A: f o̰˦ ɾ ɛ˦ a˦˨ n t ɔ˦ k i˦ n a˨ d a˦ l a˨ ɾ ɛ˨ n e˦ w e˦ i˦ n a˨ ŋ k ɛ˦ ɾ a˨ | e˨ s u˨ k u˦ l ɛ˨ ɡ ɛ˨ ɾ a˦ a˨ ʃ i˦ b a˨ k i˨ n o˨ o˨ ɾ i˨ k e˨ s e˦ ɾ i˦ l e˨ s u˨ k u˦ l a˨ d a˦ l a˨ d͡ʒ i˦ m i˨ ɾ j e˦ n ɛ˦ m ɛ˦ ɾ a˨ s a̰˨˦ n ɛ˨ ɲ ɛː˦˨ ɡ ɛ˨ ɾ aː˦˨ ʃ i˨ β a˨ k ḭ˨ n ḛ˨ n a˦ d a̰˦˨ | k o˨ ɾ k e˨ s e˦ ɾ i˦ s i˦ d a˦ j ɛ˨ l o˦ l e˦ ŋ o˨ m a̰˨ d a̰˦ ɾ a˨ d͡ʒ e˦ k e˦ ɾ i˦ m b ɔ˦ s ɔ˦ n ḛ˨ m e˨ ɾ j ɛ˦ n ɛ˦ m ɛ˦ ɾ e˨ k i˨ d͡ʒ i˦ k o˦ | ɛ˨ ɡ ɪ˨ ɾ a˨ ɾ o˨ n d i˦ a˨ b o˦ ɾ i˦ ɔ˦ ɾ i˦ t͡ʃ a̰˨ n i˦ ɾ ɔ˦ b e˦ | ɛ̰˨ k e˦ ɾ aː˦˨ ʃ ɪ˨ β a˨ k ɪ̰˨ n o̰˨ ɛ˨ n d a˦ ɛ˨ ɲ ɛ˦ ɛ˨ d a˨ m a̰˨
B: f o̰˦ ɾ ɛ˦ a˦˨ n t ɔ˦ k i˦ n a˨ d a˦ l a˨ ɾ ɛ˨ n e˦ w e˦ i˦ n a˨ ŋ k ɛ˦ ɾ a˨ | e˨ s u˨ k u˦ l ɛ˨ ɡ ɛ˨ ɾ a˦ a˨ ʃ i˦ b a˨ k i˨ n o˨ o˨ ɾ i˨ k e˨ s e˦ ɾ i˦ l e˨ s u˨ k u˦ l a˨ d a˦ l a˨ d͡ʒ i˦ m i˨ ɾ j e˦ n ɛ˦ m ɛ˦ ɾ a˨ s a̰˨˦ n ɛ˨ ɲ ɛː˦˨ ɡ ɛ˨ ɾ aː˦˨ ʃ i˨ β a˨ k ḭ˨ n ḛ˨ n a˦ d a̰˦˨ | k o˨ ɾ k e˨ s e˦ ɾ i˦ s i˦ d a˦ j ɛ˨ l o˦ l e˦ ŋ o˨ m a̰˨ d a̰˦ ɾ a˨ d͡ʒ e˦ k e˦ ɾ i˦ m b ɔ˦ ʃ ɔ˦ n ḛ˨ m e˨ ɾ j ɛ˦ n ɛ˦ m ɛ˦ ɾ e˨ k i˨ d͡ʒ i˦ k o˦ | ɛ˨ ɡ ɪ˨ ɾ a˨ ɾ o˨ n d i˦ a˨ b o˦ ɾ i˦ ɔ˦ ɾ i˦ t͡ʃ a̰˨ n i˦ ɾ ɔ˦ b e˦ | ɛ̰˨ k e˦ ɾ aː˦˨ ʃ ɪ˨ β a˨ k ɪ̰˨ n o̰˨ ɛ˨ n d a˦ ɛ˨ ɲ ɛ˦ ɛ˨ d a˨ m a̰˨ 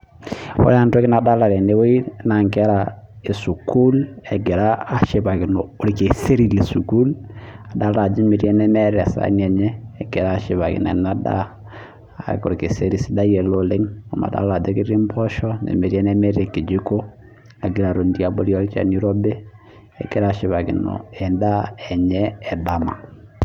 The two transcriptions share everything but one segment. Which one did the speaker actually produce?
B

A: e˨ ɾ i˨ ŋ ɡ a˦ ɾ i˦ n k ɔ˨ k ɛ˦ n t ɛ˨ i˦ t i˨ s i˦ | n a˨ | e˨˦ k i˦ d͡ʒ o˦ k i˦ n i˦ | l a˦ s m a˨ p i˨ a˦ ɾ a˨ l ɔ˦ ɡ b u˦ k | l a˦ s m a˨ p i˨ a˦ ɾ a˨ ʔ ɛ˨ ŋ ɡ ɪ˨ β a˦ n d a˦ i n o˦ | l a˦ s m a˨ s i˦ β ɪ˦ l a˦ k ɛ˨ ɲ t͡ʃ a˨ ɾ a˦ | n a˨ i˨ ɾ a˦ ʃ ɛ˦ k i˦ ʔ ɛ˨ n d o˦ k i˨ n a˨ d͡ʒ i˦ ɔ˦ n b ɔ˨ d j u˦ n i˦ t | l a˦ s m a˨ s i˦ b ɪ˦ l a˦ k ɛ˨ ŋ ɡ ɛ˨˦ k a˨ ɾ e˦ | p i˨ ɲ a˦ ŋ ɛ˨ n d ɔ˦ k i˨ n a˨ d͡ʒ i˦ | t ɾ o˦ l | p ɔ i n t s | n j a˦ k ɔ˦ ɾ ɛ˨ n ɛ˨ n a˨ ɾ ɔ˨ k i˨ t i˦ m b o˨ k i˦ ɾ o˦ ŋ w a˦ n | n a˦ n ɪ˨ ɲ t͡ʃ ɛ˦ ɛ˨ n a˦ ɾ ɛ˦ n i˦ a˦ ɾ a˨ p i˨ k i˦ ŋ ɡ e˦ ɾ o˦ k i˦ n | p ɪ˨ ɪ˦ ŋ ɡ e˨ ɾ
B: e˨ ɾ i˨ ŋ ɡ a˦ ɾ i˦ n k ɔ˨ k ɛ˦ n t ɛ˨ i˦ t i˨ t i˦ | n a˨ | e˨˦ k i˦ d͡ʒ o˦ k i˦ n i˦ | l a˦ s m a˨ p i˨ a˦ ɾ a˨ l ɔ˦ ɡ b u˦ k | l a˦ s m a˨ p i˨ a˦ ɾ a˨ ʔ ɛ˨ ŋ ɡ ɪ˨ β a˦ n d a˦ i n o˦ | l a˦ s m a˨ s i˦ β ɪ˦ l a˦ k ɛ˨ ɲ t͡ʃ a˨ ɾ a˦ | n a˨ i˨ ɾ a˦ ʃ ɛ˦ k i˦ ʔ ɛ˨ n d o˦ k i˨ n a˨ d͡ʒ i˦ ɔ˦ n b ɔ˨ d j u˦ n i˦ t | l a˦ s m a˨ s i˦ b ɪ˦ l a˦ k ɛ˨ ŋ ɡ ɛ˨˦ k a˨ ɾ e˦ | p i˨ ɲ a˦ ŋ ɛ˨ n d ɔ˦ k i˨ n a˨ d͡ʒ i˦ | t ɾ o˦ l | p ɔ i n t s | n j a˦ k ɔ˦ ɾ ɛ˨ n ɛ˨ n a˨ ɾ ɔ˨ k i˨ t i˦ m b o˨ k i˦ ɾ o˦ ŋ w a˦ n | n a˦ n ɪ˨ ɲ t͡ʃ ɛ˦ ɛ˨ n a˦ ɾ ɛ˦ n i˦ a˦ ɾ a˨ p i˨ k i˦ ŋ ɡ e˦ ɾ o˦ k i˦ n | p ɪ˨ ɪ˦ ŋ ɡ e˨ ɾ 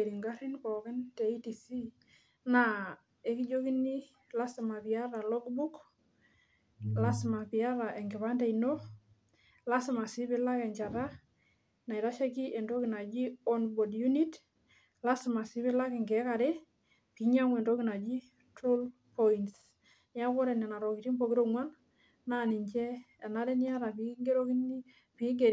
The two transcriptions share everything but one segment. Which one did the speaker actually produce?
A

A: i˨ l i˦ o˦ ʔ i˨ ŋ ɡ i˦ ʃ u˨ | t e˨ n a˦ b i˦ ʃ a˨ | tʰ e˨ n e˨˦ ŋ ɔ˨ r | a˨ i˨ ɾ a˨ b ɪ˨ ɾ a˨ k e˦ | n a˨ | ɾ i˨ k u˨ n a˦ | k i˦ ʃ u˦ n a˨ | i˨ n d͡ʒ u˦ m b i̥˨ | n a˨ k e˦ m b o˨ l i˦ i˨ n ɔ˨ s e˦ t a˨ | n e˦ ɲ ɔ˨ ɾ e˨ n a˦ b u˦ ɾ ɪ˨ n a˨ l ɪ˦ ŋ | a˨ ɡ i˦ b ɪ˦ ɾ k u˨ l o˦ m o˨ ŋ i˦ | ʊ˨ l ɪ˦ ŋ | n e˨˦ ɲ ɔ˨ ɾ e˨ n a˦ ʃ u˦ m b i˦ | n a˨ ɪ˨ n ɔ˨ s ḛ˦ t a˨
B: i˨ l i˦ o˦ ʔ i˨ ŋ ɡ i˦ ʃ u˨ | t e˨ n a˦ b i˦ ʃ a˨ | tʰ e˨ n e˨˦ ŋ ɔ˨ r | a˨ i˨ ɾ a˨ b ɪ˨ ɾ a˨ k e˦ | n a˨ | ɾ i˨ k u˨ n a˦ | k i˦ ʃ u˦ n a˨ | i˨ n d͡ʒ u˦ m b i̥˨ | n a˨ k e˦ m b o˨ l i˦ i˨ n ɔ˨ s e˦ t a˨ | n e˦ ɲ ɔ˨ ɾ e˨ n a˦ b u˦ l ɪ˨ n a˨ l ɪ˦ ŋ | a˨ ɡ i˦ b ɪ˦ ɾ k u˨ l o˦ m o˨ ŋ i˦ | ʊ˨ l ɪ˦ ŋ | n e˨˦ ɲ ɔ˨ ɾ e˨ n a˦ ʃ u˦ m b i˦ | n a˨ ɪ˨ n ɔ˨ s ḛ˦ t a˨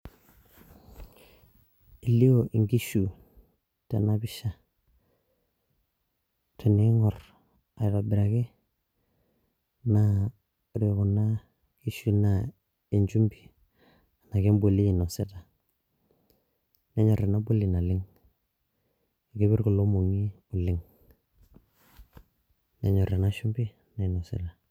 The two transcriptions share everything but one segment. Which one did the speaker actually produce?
B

